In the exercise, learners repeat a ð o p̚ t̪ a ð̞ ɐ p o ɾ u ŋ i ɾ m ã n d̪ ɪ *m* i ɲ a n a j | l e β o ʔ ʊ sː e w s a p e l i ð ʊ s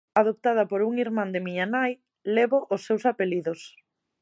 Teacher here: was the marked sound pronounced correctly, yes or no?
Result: yes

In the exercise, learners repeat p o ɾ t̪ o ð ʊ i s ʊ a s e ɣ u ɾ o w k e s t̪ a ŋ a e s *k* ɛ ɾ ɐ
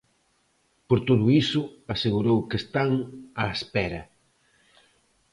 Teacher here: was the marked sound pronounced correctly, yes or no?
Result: no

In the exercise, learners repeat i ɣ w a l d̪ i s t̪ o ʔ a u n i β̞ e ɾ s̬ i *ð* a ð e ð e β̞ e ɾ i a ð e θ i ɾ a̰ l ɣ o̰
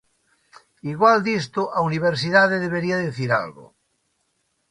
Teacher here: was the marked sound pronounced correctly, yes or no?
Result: yes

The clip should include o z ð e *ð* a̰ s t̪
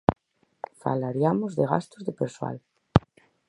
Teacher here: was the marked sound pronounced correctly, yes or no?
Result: no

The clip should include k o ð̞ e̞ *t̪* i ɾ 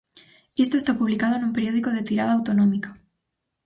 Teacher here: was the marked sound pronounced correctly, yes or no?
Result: yes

